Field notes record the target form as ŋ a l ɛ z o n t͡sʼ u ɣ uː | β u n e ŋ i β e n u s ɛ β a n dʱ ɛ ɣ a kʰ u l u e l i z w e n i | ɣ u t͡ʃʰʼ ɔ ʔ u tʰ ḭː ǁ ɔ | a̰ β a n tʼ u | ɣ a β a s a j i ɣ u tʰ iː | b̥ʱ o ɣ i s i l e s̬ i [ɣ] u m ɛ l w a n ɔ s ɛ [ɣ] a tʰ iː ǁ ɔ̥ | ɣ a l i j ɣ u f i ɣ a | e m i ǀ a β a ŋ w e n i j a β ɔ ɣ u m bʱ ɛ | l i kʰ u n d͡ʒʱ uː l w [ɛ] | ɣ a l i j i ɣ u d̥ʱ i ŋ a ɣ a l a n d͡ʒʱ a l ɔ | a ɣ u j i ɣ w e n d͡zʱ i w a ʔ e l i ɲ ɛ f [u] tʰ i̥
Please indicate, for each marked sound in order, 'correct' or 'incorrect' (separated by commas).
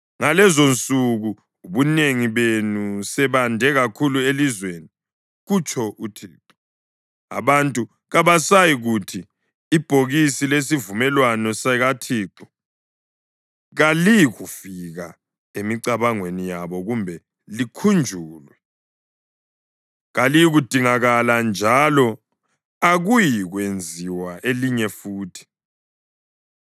incorrect, correct, correct, incorrect